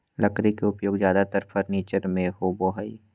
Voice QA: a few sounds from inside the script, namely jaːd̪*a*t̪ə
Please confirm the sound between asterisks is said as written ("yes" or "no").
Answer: yes